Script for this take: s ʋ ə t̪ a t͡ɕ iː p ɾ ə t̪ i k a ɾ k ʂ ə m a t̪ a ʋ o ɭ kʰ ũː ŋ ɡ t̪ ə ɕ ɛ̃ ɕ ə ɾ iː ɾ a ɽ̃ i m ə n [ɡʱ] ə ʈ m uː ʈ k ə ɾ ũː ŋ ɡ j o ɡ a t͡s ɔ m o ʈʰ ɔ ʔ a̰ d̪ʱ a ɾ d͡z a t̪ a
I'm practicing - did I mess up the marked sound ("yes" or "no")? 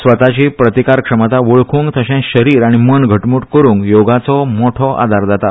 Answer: no